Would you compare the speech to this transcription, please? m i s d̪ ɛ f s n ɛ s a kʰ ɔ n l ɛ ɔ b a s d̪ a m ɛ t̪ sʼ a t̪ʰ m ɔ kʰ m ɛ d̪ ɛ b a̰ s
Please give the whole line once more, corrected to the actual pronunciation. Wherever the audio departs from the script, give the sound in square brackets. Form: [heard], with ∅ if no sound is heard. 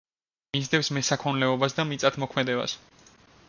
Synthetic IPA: m i [z] d̪ ɛ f s [m] ɛ s a kʰ ɔ n l ɛ ɔ b a s d̪ a m [i] t̪ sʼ a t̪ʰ m ɔ kʰ m ɛ d̪ ɛ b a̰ s